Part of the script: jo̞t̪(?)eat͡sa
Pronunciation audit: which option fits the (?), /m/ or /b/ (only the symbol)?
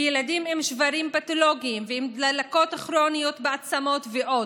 b